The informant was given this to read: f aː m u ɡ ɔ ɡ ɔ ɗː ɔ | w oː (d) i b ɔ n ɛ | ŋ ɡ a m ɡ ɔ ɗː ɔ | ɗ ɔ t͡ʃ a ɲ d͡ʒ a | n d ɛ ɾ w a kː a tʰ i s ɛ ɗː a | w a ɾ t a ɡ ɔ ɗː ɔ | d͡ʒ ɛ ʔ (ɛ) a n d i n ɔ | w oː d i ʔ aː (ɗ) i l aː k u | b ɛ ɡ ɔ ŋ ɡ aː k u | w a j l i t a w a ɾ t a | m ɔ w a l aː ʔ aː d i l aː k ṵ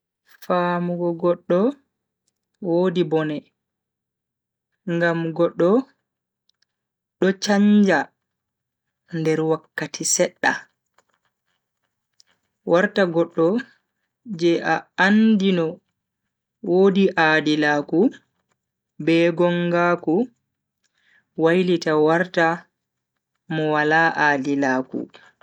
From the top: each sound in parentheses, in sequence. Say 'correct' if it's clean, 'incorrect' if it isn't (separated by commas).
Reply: correct, incorrect, incorrect